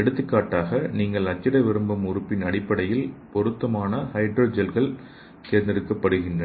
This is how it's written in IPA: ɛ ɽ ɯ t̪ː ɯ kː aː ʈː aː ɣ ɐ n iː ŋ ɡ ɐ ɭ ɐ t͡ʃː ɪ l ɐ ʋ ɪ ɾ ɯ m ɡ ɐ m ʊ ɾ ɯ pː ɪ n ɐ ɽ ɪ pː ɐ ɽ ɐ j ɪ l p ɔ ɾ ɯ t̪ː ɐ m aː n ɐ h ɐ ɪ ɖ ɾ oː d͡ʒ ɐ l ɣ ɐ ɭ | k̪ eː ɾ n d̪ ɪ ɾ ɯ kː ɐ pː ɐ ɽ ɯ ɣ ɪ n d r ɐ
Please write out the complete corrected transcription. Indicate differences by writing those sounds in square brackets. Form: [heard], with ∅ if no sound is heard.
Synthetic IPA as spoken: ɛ ɽ ɯ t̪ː ɯ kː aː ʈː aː ɣ ɐ n iː ŋ ɡ ɐ ɭ ɐ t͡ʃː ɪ [ɽ] ɐ ʋ ɪ ɾ ɯ m [b] ɐ m ʊ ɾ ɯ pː ɪ n ɐ ɽ ɪ pː ɐ ɽ ɐ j ɪ l p ɔ ɾ ɯ t̪ː ɐ m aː n ɐ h ɐ ɪ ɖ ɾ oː d͡ʒ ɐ l ɣ ɐ ɭ | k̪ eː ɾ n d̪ ɪ ɾ ɯ kː ɐ pː ɐ ɽ ɯ ɣ ɪ n d r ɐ